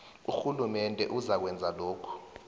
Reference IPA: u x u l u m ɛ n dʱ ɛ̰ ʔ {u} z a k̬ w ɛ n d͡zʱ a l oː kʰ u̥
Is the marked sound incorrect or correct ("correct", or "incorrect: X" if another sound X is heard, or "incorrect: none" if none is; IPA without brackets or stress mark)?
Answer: correct